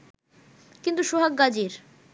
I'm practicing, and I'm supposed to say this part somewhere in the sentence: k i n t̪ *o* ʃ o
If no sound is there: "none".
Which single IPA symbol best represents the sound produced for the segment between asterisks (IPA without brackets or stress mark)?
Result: u